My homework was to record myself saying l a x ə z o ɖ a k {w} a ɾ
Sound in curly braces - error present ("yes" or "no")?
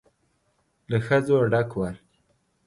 no